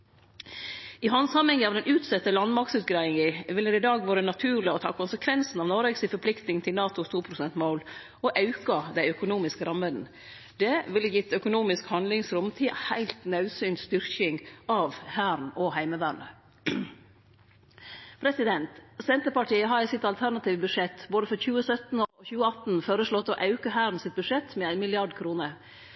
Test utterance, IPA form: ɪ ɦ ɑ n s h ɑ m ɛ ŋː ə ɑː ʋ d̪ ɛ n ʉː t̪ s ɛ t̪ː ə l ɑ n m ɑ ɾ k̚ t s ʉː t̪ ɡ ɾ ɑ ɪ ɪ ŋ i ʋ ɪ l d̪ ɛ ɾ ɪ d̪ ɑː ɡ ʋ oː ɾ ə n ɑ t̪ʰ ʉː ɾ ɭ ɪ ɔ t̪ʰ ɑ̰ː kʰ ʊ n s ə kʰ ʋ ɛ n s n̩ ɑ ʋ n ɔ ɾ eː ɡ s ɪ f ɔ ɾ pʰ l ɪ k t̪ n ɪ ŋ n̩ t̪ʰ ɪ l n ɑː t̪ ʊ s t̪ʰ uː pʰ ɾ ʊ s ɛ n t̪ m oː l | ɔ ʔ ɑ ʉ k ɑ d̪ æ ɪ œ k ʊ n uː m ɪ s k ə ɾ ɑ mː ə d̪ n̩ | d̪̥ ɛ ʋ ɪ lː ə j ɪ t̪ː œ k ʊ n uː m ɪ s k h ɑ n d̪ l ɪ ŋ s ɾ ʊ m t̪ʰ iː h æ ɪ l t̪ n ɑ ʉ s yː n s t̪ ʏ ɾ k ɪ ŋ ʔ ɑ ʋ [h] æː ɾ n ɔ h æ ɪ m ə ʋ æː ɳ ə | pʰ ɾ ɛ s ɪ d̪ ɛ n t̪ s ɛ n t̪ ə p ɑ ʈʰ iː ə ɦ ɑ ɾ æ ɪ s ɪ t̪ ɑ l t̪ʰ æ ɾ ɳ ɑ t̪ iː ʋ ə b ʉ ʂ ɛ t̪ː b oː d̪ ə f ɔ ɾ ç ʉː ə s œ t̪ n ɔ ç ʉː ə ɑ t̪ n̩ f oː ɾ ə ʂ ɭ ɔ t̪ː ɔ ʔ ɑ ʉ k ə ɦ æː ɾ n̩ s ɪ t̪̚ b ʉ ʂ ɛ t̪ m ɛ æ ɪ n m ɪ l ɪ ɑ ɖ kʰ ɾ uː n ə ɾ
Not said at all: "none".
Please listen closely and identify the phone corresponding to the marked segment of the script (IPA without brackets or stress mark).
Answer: h